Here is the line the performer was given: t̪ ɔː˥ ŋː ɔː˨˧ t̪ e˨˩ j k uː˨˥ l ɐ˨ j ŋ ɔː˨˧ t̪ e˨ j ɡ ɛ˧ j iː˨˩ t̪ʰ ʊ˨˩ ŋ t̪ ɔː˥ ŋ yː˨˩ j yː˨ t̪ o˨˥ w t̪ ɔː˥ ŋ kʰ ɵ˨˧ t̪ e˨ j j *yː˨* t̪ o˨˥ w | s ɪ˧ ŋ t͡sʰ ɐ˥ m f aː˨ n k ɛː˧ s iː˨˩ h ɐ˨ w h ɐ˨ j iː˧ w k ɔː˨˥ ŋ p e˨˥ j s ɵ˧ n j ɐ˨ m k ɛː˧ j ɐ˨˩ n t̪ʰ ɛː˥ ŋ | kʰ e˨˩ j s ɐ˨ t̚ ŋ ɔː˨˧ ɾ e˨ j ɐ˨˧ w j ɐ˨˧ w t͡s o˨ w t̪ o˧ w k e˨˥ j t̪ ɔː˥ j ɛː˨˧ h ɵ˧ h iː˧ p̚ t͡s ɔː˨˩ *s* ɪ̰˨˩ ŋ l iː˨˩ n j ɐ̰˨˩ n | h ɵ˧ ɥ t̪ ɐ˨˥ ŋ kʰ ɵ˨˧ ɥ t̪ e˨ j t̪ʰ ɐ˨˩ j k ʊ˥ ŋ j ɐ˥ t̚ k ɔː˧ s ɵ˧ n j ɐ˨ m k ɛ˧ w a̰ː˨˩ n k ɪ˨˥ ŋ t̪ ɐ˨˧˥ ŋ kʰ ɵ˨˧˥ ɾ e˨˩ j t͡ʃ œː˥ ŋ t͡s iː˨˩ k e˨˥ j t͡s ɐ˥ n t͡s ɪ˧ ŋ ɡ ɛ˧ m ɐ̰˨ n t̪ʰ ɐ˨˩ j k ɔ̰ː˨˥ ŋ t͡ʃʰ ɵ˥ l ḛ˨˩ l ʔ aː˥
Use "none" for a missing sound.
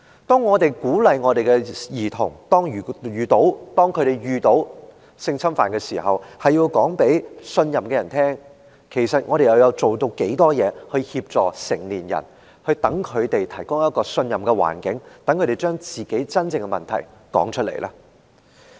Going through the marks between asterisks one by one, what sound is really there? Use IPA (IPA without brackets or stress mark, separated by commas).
yː˨, s